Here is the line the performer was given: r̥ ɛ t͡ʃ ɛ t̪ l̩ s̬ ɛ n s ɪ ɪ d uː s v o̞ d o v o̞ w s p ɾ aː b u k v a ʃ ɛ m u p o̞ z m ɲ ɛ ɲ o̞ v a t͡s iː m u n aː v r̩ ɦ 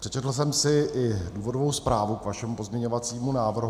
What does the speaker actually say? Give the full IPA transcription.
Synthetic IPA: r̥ ɛ t͡ʃ ɛ t̪ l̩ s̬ ɛ m s ɪ ɪ d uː v o̞ d o v o̞ w s p ɾ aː v u k v a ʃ ɛ m u p o̞ z m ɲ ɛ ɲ o̞ v a t͡s iː m u n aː v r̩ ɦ